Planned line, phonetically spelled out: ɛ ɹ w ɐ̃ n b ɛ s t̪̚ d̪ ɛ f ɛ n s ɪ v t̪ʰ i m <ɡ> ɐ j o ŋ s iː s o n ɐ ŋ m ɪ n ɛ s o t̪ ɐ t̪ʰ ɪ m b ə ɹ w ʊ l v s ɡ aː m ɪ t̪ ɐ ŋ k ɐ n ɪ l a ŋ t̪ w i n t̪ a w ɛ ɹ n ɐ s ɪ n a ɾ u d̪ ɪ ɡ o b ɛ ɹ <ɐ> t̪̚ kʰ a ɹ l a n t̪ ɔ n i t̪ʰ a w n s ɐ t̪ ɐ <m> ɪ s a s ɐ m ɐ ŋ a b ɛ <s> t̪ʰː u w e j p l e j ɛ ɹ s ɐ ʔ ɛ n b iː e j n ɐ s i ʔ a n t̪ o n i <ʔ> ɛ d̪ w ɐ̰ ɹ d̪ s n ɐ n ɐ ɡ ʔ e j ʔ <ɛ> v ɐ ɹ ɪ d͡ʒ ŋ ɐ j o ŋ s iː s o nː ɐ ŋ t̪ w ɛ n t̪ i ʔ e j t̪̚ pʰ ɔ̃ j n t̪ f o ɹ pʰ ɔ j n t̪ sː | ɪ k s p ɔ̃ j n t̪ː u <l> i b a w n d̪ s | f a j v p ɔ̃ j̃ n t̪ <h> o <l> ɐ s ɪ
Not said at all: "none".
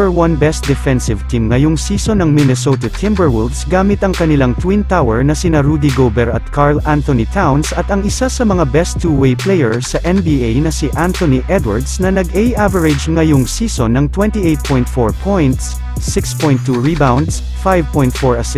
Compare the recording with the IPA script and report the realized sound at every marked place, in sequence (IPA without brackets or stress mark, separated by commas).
ŋ, ɐ, ŋ, s, ʔ, a, ɹ, f, ɹ